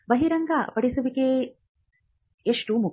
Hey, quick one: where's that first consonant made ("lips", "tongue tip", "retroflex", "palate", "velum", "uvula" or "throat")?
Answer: lips